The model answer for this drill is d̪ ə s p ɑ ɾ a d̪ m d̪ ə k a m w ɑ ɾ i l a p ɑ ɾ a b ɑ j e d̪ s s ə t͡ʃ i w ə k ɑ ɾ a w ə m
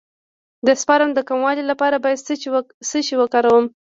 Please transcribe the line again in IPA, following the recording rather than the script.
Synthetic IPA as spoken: d̪ ə s p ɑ ɾ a m d̪ ə k a m w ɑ l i l a p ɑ ɾ a b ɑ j a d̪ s s ə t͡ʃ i w ə k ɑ ɾ a w ə m